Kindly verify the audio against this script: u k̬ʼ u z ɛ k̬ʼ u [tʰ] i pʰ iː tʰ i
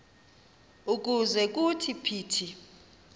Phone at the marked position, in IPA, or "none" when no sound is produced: tʰ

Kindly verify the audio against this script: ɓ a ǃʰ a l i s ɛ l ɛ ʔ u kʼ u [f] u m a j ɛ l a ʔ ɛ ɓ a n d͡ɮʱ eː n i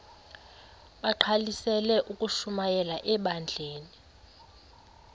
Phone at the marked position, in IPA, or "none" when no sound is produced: ʃ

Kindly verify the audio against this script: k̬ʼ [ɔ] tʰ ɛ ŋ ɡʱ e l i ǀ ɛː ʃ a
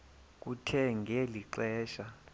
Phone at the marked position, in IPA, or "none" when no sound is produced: u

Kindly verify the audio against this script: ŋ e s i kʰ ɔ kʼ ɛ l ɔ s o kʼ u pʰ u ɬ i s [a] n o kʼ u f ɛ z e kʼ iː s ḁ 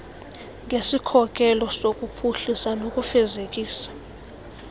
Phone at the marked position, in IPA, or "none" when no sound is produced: a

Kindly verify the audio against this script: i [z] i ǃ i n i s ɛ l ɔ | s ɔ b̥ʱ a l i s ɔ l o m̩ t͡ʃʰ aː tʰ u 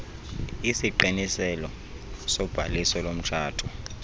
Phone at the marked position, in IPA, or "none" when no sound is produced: s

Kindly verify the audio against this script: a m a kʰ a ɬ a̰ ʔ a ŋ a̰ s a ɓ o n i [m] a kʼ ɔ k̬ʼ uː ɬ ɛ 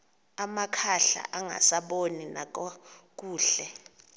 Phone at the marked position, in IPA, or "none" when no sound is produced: n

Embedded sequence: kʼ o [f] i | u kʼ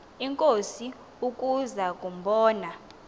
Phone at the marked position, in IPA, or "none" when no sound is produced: s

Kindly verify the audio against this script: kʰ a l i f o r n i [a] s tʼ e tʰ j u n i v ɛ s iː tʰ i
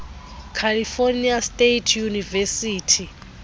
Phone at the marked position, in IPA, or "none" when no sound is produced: a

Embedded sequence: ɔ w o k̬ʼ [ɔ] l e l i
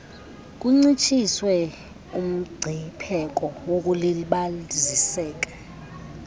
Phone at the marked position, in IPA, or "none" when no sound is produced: u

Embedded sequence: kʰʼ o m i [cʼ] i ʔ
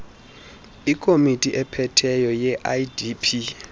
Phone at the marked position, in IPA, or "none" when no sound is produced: tʼ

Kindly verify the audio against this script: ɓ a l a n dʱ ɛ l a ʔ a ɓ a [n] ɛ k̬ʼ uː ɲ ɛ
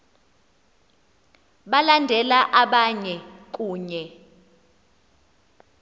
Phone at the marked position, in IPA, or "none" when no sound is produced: ɲ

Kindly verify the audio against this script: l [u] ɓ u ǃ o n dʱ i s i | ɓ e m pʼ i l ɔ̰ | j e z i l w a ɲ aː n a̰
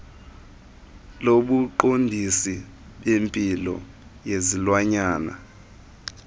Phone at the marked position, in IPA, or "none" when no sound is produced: o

